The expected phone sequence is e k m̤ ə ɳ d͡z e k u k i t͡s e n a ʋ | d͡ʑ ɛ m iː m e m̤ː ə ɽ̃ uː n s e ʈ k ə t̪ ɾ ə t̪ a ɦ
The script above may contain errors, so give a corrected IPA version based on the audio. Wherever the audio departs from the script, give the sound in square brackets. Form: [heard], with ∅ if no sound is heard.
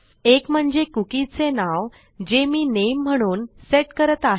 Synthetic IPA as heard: e k m̤ ə ɳ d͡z e k u k i t͡s e n a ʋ | d͡ʑ [e] m iː [n] e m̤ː ə ɽ̃ uː n s e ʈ k ə [∅] ɾ ə t̪ a ɦ